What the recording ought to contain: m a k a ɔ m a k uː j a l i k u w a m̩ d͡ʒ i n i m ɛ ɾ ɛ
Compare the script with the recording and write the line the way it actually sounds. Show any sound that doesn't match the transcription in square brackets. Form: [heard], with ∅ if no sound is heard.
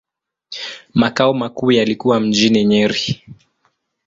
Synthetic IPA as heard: m a k a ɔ m a k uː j a l i k u w a m̩ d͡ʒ i n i [ɲ] ɛ ɾ [i]